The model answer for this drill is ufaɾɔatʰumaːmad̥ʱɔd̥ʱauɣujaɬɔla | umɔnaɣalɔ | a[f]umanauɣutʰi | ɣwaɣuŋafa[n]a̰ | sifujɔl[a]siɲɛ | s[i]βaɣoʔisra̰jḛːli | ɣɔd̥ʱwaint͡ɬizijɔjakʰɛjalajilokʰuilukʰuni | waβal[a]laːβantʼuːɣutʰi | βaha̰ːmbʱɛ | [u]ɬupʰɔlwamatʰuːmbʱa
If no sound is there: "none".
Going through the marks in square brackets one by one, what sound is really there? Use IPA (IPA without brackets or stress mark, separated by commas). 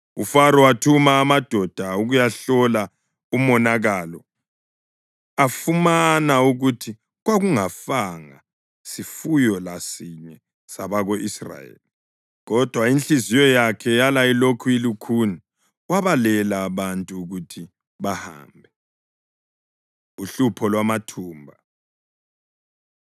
f, ŋ, a, a, ɛ, u